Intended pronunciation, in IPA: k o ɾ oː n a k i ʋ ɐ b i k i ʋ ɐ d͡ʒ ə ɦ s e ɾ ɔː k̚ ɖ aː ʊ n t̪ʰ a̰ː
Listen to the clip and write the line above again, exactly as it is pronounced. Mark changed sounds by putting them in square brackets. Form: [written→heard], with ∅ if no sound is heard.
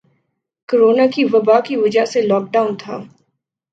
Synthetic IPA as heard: k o ɾ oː n a k i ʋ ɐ b [i→a] k i ʋ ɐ d͡ʒ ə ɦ s e [ɾ→l] ɔː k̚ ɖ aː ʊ n t̪ʰ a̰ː